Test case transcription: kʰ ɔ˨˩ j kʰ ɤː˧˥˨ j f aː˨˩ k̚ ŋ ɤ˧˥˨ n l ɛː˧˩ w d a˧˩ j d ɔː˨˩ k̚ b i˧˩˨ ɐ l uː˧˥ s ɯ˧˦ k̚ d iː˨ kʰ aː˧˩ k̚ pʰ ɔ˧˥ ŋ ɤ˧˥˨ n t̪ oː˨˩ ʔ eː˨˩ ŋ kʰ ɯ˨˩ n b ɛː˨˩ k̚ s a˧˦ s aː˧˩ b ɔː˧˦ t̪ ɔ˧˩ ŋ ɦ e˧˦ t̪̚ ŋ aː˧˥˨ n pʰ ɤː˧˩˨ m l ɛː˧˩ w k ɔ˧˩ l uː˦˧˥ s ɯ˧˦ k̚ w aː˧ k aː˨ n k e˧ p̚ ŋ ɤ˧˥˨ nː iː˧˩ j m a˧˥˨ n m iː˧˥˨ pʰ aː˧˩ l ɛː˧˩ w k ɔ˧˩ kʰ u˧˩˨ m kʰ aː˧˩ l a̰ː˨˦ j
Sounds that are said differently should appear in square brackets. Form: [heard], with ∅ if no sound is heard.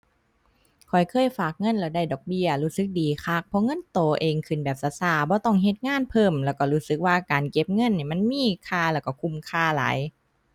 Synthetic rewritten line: kʰ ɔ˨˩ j kʰ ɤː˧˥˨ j f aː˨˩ k̚ ŋ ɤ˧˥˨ n l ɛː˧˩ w d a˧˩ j d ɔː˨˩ k̚ b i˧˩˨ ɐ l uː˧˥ s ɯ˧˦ k̚ d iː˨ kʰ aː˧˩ k̚ pʰ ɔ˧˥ ŋ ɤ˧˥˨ n t̪ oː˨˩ ʔ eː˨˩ ŋ kʰ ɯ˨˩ n b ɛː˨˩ [p̚] s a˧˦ s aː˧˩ b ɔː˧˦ t̪ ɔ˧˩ ŋ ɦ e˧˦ t̪̚ ŋ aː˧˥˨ n pʰ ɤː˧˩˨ m l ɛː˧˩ w k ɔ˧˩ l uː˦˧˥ s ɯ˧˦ k̚ w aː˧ k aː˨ n k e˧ p̚ ŋ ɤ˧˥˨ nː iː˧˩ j m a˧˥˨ n m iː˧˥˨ [kʰ] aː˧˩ l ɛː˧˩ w k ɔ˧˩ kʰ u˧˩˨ m kʰ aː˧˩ l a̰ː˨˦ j